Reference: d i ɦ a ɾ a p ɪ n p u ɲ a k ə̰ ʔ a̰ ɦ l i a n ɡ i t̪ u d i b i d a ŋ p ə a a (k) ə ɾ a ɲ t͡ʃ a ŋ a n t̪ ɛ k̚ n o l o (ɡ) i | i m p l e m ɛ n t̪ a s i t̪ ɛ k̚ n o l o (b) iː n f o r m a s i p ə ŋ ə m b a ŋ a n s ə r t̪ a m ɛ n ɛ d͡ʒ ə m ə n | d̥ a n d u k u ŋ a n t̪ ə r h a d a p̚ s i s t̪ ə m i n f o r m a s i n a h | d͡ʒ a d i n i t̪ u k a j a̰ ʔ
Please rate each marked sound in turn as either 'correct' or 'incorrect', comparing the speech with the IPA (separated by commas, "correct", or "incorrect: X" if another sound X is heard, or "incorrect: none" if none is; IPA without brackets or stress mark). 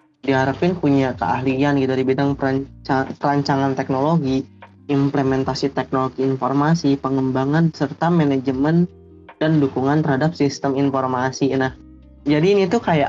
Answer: incorrect: p, correct, incorrect: ɡ